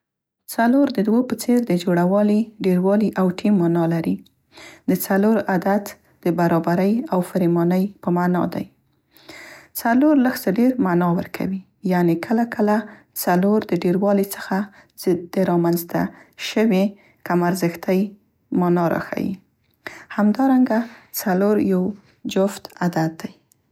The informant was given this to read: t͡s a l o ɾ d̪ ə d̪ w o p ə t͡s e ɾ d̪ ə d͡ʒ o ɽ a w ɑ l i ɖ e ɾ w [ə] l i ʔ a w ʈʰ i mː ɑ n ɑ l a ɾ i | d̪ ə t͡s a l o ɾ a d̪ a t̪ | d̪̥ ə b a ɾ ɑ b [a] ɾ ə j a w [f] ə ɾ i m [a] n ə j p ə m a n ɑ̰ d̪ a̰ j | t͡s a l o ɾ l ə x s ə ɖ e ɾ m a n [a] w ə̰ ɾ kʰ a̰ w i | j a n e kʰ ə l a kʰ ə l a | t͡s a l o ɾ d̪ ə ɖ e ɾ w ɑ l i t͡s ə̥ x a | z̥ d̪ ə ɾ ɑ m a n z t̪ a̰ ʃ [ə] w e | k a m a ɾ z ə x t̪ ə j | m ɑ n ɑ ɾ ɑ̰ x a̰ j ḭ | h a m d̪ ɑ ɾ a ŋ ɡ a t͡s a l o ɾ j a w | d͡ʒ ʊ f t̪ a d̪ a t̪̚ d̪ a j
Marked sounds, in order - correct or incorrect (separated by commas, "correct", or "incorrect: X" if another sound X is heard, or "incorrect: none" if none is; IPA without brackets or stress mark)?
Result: incorrect: ɑ, correct, correct, incorrect: ɑ, incorrect: ɑ, correct